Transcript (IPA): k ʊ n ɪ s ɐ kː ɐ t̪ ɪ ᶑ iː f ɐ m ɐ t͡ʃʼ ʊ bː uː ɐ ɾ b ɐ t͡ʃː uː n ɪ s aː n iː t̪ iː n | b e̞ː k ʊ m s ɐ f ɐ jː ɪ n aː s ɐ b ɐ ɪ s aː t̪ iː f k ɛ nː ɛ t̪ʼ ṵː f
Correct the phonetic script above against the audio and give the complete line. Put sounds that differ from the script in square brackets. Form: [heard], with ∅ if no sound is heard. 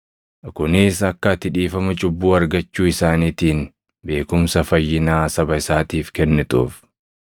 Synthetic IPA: k ʊ n ɪ s ɐ kː ɐ t̪ ɪ ᶑ iː f ɐ m ɐ t͡ʃʼ ʊ bː uː ɐ ɾ [ɡ] ɐ t͡ʃː uː [∅] ɪ s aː n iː t̪ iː n | b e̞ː k ʊ m s ɐ f ɐ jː ɪ n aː s ɐ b ɐ ɪ s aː t̪ iː f k ɛ nː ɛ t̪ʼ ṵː f